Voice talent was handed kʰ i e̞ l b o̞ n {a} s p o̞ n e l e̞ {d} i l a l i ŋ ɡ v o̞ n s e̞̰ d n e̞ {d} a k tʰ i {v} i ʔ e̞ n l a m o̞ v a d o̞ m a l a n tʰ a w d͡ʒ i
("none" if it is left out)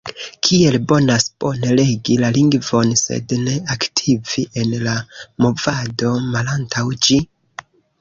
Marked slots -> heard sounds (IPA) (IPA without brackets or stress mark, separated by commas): a, ɡ, none, v